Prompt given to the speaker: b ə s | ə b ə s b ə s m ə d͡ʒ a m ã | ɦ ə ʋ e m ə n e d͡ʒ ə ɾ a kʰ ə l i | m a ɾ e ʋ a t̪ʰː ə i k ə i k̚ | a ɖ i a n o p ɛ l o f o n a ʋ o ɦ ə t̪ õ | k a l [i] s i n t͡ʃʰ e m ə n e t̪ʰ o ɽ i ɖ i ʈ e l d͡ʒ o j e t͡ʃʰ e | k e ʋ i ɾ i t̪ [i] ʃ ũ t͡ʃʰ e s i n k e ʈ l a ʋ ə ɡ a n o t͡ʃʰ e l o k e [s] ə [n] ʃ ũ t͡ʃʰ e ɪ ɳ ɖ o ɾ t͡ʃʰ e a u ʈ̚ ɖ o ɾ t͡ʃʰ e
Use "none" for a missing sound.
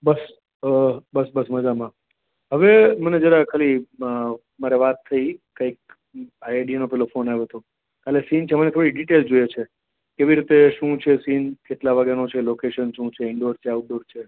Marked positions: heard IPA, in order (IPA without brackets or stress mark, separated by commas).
e, e, ʃ, n